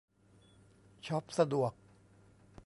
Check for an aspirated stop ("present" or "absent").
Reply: present